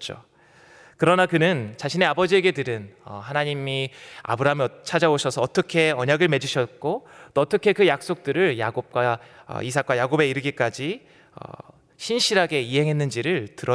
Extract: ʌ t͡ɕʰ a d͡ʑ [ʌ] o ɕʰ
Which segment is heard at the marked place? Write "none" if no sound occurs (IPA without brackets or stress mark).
a